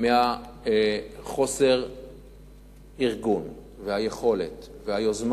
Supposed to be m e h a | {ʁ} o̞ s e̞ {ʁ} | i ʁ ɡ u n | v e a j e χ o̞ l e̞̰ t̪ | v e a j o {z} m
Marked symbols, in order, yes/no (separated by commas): no, yes, yes